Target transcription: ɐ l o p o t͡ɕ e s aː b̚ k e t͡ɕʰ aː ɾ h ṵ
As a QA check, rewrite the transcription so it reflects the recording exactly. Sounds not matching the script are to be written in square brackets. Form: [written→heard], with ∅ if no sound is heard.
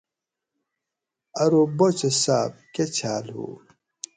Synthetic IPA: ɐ [l→ɾ] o [p→b] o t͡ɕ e s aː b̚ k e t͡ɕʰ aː [ɾ→l] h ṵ